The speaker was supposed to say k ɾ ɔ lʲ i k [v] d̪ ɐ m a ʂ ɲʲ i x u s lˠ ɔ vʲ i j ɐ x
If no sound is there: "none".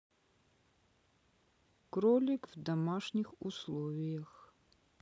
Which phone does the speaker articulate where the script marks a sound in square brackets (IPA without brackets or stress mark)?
v